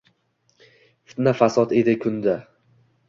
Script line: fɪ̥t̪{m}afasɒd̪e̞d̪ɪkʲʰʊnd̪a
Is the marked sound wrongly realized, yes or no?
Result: yes